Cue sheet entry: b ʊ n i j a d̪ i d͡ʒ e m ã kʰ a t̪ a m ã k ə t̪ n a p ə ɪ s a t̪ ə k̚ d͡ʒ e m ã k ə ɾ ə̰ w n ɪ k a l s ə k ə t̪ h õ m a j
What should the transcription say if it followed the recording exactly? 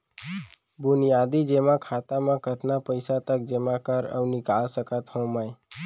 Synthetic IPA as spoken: b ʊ n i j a d̪ i d͡ʒ e m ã kʰ a t̪ a m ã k ə t̪ n a p ə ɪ s a t̪ ə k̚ d͡ʒ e m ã k ə ɾ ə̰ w n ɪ k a l s ə k ə t̪ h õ m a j